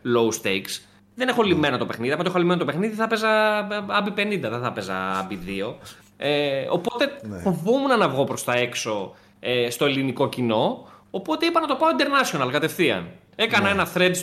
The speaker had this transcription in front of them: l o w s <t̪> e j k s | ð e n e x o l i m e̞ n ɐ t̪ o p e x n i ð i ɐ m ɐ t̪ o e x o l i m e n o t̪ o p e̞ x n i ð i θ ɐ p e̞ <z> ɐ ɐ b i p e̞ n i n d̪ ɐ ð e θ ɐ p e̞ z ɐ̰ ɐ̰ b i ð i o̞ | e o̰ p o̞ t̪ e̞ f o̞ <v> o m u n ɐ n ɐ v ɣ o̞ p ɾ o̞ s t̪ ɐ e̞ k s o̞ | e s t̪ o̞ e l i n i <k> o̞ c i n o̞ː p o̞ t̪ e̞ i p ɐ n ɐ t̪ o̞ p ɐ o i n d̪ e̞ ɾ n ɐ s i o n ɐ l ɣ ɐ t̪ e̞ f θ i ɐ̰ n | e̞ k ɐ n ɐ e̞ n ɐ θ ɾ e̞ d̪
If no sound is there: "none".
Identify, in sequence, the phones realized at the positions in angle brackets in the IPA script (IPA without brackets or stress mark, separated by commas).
t̪, z, v, k